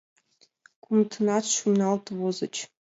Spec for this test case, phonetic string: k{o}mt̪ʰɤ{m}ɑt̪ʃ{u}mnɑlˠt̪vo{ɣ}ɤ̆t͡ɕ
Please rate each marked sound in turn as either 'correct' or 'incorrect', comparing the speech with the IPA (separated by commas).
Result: incorrect, incorrect, correct, incorrect